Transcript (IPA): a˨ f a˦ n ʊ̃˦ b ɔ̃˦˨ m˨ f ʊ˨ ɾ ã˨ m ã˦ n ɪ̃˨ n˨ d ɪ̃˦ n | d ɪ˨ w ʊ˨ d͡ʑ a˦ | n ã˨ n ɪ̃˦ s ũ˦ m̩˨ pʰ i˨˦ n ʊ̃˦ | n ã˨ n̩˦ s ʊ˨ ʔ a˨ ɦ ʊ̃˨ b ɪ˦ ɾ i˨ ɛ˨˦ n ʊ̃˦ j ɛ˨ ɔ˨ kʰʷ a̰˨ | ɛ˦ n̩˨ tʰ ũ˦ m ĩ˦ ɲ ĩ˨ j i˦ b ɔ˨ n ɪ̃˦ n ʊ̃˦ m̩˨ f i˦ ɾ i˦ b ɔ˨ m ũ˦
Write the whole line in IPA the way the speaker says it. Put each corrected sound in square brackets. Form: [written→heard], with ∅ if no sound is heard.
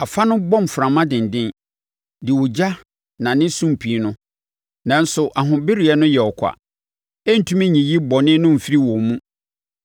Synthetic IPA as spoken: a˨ f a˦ n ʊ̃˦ b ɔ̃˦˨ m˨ f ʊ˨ ɾ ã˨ m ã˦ [n→d] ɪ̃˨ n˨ d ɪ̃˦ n | d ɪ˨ w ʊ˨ d͡ʑ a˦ | n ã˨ n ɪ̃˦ s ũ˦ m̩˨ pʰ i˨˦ n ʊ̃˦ | n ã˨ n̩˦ s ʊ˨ ʔ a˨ ɦ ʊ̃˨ b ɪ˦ ɾ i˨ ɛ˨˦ n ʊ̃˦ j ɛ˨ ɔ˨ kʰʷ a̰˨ | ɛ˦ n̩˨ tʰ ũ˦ m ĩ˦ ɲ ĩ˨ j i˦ b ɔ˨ n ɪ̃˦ n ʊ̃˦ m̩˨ f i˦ ɾ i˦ [b→w] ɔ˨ m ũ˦

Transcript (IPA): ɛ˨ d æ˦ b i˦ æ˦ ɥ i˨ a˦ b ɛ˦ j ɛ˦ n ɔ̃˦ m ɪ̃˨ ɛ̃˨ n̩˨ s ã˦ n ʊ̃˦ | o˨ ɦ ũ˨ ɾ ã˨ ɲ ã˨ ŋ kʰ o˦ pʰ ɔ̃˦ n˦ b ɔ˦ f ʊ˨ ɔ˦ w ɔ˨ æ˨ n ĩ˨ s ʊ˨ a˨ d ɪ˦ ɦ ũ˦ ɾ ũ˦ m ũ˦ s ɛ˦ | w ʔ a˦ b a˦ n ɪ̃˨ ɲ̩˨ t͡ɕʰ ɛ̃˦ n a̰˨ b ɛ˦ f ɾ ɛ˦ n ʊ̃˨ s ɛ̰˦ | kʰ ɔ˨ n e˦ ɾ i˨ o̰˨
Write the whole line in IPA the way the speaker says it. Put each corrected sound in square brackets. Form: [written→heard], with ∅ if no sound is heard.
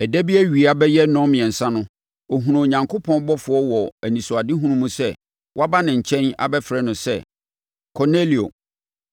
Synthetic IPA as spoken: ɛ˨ d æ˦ b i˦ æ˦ ɥ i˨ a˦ b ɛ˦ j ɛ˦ n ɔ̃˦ m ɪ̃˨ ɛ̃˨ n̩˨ s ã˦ n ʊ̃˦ | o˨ ɦ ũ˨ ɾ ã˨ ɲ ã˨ ŋ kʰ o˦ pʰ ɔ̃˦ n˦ b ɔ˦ f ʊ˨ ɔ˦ w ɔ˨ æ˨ n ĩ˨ s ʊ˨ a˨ d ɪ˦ ɦ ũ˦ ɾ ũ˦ m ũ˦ s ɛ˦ | w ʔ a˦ b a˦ n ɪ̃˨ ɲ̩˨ t͡ɕʰ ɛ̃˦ n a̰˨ b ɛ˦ f ɾ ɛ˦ n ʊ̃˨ s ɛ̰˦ | kʰ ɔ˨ n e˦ [ɾ→l] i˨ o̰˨

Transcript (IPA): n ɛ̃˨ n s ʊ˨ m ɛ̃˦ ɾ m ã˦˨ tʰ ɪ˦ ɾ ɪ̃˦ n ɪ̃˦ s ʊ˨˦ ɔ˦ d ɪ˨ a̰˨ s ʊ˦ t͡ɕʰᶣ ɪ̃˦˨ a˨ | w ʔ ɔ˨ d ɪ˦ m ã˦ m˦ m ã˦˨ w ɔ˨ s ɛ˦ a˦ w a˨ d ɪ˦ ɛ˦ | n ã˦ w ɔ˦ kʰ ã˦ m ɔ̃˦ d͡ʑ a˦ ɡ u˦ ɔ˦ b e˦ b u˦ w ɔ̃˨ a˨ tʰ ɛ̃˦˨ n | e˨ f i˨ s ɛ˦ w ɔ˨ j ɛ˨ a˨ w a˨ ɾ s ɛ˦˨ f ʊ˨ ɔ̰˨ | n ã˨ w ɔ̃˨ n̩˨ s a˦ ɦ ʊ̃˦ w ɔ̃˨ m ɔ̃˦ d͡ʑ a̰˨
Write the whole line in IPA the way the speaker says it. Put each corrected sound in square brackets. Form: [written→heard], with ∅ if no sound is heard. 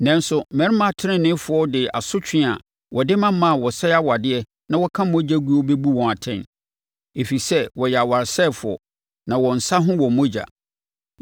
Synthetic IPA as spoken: n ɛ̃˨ n s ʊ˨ m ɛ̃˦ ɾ m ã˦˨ tʰ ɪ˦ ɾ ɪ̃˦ n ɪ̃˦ [s→f] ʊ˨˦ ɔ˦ d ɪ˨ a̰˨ s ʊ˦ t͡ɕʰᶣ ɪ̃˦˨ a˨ | w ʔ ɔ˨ d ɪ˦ m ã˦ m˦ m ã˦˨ w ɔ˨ s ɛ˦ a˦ w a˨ d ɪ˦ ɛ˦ | n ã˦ w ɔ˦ kʰ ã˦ m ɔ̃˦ d͡ʑ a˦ ɡ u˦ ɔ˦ b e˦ b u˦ w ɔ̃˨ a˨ tʰ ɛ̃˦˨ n | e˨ f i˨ s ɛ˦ w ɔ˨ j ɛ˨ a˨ w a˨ ɾ s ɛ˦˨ f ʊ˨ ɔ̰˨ | n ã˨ w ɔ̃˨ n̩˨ s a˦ ɦ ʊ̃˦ w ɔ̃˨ m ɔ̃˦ d͡ʑ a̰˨

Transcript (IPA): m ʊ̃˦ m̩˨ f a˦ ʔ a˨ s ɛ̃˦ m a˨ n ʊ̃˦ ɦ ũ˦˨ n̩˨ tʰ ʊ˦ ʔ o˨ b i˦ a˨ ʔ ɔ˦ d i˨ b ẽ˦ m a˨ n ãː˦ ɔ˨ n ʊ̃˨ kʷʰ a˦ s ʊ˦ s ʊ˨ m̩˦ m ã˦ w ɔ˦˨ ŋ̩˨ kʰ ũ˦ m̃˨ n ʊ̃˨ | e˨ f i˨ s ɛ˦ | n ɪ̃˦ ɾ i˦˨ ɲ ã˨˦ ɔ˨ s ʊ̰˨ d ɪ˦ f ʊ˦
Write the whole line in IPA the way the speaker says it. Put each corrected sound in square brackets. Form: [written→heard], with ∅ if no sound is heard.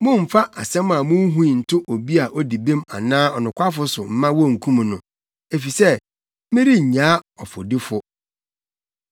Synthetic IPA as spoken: m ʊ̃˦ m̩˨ f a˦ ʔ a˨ s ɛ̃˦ m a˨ [n→m] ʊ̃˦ ɦ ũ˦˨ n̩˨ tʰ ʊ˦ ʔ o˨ b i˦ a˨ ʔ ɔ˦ d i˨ b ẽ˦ m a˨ n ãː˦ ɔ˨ n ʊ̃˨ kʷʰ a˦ [s→f] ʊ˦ s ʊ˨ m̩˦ m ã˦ w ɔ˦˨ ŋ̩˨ kʰ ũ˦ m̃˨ n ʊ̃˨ | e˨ f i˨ s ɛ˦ | [n→m] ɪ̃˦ ɾ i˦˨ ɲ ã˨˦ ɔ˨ [s→f] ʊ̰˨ d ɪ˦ f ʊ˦

